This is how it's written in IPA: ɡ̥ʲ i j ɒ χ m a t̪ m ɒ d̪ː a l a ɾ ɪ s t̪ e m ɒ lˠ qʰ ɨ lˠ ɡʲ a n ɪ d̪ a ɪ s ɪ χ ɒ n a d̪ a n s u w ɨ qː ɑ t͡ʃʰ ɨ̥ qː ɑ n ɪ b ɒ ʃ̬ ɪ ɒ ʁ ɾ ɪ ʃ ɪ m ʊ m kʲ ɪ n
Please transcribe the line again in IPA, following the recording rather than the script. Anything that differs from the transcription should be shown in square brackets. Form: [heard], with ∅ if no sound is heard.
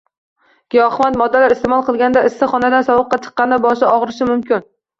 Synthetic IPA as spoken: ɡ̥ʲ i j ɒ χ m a t̪ m ɒ d̪ː a l a ɾ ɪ s t̪ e m ɒ lˠ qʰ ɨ lˠ ɡʲ a n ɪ d̪ a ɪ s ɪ χ ɒ n a d̪ a n s [ɒ] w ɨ qː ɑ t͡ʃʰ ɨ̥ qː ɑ n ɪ b ɒ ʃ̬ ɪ ɒ ʁ ɾ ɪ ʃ ɪ m ʊ m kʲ ɪ n